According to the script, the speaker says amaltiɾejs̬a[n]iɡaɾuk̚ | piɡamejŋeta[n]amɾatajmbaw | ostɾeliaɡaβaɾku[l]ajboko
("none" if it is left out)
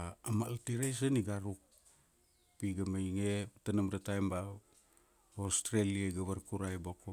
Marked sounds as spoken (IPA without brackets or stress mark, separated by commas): n, n, ɾ